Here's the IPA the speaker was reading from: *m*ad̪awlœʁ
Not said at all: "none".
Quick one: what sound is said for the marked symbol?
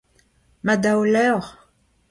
m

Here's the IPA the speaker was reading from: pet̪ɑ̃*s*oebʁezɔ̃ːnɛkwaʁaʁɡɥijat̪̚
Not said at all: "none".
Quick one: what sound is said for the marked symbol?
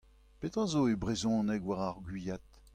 z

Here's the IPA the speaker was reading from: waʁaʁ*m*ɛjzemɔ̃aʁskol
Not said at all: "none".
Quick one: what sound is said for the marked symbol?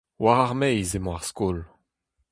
m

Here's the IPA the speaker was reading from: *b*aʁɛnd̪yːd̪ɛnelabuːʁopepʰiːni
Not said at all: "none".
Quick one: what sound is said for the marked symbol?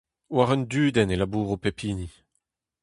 w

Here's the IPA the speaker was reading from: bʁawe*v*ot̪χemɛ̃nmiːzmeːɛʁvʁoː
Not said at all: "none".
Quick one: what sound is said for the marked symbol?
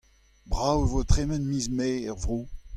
v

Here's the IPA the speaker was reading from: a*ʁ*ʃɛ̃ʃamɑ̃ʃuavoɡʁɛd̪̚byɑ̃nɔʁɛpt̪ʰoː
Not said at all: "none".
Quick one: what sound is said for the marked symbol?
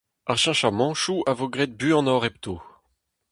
ʁ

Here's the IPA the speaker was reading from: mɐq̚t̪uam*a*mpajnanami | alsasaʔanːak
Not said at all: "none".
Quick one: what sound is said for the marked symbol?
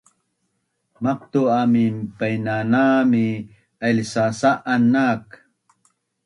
i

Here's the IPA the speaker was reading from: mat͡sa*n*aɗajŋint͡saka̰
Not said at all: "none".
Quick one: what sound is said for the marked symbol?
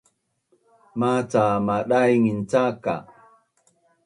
m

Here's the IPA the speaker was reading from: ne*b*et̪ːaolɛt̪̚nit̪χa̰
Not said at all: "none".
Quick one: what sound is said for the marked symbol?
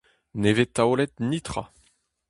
v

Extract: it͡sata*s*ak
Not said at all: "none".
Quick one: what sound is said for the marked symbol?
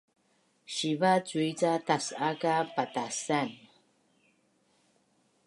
s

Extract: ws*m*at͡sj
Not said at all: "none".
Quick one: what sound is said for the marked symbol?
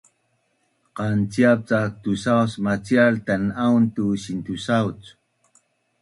m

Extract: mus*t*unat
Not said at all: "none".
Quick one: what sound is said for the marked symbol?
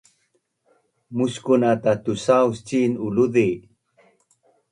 k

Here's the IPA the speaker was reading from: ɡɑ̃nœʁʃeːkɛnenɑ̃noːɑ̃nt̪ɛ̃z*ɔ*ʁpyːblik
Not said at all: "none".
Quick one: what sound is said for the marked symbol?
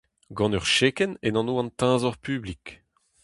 ɔ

